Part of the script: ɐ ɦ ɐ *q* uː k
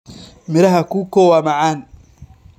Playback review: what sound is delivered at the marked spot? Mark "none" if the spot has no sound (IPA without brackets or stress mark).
k